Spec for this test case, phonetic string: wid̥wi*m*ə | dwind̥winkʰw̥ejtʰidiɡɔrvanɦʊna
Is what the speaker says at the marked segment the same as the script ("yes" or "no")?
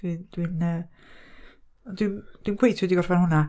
no